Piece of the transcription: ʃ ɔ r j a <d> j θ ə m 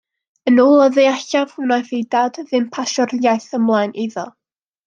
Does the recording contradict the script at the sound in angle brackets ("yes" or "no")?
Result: yes